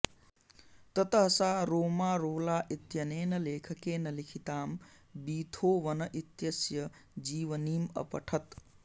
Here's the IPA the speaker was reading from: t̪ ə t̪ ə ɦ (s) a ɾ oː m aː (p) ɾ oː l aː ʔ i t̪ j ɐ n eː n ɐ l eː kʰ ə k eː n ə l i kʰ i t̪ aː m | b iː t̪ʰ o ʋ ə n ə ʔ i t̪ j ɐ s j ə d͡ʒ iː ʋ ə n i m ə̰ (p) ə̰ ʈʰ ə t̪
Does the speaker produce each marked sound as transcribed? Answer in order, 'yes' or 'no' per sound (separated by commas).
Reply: yes, no, yes